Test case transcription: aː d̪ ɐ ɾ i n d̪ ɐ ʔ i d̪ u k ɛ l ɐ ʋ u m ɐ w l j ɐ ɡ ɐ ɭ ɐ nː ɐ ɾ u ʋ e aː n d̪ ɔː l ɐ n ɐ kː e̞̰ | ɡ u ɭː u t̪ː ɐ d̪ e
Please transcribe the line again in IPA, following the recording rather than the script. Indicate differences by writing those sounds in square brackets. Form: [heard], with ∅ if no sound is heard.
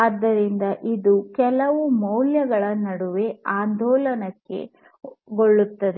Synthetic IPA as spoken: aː [d̪ː] ɐ ɾ i n d̪ ɐ ʔ i d̪ u k ɛ l ɐ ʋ u m ɐ w l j ɐ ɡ ɐ ɭ ɐ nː ɐ [ɽ] u ʋ e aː n d̪ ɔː l ɐ n ɐ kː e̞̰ | ɡ [o] ɭː u t̪ː ɐ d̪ e